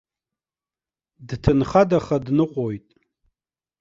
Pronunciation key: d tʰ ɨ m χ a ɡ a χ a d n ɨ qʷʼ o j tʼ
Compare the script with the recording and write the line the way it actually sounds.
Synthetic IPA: d tʰ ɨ n χ a d a χ a d n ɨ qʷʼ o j tʼ